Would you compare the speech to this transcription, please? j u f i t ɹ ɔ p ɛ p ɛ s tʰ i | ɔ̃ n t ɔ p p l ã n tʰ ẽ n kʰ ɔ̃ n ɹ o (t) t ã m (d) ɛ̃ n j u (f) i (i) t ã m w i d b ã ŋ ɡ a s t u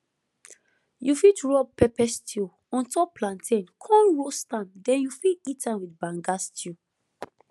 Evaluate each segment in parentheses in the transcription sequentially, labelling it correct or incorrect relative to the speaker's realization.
incorrect, correct, correct, correct

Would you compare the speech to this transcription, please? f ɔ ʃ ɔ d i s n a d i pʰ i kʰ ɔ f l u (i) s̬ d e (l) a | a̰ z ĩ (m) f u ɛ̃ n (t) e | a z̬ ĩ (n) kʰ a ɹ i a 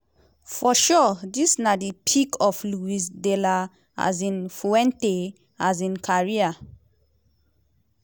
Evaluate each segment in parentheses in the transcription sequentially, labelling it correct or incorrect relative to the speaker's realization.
correct, correct, incorrect, correct, correct

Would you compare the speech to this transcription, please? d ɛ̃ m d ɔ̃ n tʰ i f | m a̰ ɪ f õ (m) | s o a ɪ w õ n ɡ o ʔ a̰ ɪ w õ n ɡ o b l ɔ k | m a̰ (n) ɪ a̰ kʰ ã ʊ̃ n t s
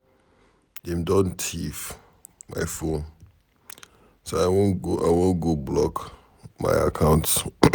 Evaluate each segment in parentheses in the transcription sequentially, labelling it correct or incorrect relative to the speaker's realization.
incorrect, incorrect

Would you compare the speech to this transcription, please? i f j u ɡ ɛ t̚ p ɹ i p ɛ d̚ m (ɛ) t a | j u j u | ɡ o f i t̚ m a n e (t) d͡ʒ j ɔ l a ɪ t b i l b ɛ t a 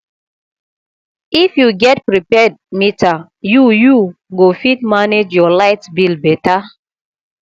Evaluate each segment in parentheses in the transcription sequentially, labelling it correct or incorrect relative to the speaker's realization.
incorrect, incorrect

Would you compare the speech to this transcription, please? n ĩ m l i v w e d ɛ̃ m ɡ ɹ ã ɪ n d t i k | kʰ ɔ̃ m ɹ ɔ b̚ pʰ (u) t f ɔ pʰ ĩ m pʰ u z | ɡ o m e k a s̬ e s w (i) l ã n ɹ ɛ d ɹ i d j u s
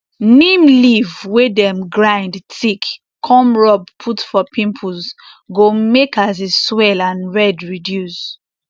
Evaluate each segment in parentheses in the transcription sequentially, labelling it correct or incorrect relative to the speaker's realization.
correct, incorrect

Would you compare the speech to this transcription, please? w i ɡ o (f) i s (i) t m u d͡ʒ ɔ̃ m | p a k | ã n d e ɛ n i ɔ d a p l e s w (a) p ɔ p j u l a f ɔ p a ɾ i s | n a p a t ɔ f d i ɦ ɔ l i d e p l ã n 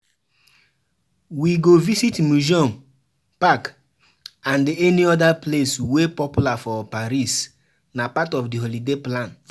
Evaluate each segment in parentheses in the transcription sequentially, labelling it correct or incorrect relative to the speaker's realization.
incorrect, correct, incorrect

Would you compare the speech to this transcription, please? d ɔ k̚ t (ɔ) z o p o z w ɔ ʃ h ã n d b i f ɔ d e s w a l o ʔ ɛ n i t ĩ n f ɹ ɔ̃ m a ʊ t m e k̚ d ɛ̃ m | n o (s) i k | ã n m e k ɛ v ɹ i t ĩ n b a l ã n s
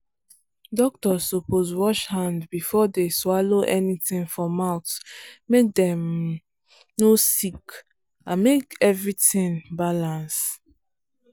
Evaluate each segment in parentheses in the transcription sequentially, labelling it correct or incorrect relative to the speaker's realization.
correct, correct

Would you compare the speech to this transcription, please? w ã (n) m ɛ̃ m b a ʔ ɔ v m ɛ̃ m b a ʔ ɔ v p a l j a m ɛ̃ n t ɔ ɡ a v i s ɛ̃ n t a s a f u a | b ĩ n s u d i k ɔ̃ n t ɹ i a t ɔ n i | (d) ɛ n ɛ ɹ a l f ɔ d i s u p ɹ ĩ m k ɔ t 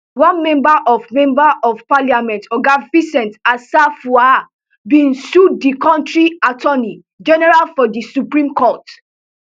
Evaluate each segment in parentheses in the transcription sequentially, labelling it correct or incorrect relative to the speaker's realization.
correct, incorrect

